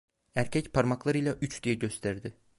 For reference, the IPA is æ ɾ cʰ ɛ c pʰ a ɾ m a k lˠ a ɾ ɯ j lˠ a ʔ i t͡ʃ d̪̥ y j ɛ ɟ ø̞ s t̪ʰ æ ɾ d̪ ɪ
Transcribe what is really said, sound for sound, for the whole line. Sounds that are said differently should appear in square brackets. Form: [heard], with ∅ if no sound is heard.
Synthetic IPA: æ ɾ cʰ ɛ c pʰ a ɾ m a k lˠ a ɾ ɯ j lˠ a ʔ [y] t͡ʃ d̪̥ [i] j ɛ ɟ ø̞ s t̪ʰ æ ɾ d̪ ɪ